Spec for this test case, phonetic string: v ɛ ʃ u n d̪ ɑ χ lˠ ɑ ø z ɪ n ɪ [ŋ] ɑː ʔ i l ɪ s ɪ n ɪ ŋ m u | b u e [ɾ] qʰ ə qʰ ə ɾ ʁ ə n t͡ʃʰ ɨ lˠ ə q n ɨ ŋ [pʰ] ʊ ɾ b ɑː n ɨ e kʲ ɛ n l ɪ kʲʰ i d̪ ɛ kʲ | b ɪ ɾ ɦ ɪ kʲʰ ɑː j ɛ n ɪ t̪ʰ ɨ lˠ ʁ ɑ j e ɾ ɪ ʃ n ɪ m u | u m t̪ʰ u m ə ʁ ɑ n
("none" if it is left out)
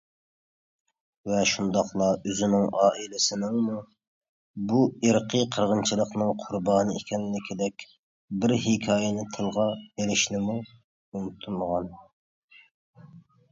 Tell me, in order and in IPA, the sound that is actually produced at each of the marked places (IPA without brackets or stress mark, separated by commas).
ŋ, ɾ, qʰ